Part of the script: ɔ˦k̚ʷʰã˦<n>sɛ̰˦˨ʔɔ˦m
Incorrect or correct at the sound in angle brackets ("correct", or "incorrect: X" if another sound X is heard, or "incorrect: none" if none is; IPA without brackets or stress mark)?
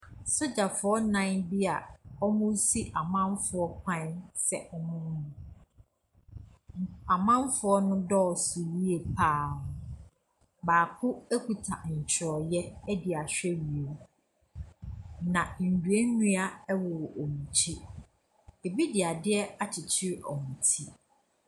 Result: correct